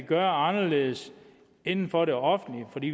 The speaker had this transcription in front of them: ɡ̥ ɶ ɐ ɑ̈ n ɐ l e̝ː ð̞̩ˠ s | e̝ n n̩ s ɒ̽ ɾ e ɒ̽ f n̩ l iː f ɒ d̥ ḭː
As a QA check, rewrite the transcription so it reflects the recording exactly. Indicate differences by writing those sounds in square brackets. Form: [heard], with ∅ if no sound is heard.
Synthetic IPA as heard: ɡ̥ ɶ ɐ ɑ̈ n ɐ l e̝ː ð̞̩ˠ s | e̝ n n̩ [f] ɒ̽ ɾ e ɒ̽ f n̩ l [i] f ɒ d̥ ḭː